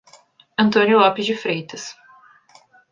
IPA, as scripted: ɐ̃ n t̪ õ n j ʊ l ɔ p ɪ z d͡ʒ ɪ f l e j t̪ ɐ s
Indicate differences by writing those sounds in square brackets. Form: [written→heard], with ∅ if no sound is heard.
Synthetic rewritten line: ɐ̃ n t̪ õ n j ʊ l ɔ p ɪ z d͡ʒ ɪ f [l→ɾ] e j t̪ ɐ s